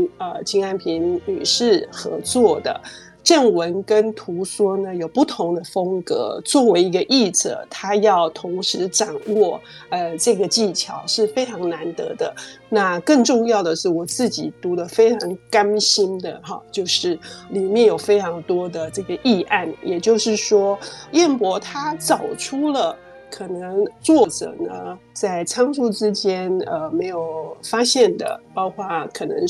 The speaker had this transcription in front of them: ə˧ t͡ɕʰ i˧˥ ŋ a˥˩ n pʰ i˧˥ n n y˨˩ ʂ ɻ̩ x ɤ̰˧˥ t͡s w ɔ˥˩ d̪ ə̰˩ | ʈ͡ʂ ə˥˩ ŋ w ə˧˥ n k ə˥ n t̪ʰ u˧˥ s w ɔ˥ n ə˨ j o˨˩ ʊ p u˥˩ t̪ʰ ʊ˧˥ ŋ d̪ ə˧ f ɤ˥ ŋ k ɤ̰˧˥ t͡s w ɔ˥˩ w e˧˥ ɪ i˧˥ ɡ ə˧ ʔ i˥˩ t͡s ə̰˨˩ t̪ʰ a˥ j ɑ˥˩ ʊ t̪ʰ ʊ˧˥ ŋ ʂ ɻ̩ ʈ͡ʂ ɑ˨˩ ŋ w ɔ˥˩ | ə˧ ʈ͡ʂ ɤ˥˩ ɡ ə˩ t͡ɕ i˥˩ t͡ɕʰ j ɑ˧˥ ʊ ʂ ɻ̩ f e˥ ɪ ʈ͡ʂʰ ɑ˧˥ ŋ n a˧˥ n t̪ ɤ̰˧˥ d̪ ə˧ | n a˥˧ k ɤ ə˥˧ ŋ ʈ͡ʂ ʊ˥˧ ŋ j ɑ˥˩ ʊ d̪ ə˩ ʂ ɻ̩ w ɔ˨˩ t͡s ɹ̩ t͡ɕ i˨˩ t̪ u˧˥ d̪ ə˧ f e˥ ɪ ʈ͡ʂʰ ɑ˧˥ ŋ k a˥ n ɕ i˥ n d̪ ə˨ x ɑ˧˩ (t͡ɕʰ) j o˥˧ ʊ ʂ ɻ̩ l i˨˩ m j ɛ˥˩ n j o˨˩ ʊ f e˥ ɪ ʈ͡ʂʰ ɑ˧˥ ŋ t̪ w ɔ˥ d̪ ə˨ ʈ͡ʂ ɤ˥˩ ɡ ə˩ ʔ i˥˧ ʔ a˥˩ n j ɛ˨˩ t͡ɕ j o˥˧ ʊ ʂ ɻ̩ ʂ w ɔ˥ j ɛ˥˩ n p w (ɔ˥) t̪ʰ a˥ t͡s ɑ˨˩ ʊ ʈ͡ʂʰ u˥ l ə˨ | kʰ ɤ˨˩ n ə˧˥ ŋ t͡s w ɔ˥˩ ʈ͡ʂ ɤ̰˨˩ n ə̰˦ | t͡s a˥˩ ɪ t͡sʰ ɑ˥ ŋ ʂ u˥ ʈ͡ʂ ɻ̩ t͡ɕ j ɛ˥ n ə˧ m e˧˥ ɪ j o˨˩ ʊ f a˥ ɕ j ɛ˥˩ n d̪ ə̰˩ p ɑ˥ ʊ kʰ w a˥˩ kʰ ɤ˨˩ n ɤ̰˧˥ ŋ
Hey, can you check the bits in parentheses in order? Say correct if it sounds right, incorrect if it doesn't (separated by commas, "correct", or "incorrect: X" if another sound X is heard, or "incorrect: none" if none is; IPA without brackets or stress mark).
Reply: incorrect: t͡ɕ, incorrect: ɔ˧˥